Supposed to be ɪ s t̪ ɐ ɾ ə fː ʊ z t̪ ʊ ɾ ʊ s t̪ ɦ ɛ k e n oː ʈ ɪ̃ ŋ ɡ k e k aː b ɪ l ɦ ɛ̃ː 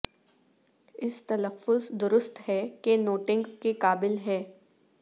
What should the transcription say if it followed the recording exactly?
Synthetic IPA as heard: ɪ s t̪ ɐ l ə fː ʊ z d̪ ʊ ɾ ʊ s t̪ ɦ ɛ k e n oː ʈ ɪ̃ ŋ ɡ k e k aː b ɪ l ɦ ɛː